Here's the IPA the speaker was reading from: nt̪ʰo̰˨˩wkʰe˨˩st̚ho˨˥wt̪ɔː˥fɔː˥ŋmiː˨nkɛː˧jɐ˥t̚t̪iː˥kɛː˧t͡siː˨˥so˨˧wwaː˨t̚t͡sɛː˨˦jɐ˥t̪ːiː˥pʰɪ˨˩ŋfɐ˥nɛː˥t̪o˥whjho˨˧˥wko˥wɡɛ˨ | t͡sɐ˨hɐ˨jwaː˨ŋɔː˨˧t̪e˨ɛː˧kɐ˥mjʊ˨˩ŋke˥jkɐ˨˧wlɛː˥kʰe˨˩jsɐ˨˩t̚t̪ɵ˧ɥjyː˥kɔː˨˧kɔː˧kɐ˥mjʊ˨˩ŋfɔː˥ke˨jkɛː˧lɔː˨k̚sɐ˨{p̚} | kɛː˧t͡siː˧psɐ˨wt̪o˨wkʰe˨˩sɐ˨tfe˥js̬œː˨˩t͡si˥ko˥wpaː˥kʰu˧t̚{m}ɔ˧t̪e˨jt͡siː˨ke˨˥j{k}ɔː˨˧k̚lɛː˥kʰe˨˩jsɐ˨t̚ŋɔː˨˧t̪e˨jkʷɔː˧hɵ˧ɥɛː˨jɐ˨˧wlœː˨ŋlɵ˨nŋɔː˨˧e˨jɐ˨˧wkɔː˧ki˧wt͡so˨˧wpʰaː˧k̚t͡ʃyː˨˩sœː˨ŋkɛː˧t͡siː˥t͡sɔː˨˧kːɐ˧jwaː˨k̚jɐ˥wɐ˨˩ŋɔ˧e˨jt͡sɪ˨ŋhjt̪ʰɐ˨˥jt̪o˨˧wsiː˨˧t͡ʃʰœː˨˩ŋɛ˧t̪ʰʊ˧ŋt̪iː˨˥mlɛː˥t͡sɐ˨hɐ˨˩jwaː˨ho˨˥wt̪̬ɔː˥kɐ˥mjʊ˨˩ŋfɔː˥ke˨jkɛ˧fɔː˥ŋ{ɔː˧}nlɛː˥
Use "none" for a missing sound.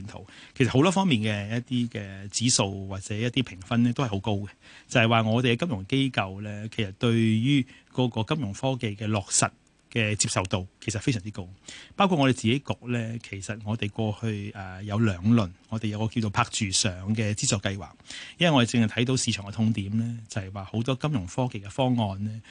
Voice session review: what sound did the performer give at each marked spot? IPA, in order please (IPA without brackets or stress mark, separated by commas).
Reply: t̚, ŋ, k, ɔː˧